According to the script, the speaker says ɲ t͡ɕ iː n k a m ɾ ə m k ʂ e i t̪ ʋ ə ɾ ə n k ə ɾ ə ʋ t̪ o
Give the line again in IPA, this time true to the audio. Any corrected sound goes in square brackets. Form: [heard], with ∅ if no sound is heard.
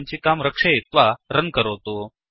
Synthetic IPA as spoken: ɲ t͡ɕ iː [∅] k a m ɾ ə [∅] k ʂ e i t̪ ʋ [a] ɾ ə n k ə ɾ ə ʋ t̪ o